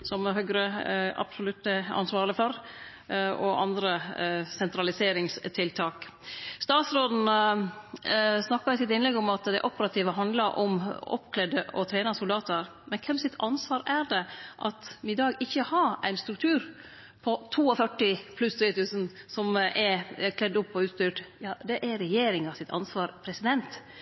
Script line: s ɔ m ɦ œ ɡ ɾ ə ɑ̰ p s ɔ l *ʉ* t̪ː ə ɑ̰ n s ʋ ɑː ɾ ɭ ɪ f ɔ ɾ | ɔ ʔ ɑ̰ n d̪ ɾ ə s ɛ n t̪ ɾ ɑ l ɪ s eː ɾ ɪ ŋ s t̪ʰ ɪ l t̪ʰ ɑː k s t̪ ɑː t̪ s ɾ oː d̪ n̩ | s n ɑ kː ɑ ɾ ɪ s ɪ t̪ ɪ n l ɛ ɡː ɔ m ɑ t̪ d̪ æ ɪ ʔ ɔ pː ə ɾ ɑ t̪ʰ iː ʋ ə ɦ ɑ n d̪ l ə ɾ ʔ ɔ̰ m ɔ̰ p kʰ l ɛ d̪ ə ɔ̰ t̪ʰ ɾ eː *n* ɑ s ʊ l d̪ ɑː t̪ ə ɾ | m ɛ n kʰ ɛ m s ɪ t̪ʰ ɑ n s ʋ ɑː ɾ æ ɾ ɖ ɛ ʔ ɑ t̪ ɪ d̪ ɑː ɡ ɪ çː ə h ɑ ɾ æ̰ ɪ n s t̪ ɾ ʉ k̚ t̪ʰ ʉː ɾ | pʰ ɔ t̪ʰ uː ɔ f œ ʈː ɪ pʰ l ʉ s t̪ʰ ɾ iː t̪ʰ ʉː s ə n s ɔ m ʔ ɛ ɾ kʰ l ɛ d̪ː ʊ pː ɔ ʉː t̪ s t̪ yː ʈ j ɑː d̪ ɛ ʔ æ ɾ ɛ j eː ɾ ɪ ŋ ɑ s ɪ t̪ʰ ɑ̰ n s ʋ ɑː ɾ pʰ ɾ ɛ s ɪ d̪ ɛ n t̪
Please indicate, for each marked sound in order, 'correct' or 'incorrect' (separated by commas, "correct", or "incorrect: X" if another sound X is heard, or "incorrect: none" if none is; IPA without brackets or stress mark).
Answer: correct, correct